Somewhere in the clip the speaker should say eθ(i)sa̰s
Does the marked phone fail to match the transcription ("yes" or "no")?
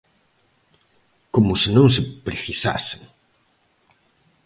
no